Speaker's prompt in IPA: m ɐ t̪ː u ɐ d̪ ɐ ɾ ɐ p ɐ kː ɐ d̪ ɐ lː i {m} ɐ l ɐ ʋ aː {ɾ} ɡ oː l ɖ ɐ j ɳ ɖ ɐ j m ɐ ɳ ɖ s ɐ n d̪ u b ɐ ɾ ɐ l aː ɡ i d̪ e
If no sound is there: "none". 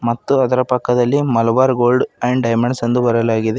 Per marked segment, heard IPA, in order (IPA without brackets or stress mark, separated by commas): m, ɾ